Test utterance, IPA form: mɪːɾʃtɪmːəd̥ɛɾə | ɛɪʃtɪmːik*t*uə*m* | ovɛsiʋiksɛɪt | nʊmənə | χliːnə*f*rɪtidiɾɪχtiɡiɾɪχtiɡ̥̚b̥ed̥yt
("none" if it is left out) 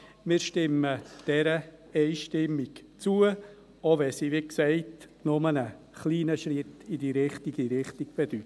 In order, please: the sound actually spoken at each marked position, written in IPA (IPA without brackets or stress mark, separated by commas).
t͡s, none, ʃ